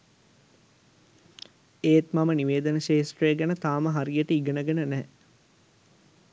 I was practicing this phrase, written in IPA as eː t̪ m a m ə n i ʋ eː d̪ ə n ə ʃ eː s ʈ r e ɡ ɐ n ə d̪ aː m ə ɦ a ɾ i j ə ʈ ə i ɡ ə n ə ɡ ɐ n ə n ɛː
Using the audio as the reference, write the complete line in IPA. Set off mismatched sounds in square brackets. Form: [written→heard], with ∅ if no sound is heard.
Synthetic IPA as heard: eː t̪ m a m ə n i ʋ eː d̪ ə n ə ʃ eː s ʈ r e ɡ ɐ n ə [d̪→t̪] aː m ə ɦ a ɾ i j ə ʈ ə i ɡ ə n ə ɡ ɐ n ə n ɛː